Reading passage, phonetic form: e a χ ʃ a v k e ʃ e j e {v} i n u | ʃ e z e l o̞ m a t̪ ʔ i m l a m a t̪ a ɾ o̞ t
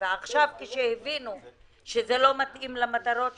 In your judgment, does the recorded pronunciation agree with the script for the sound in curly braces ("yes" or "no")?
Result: yes